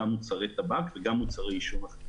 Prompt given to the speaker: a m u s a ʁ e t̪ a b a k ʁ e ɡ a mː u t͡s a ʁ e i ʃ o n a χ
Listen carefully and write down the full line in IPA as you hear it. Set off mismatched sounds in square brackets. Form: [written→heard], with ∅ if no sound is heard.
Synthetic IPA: a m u [s→t͡s] a ʁ e t̪ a b a k [ʁ→v] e ɡ a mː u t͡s a ʁ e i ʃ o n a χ